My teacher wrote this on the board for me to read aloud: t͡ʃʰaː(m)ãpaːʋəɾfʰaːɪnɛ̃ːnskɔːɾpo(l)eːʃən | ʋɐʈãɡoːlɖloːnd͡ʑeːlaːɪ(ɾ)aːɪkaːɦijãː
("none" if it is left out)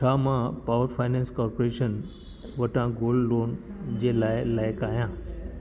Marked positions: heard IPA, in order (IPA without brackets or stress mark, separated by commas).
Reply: m, ɾ, l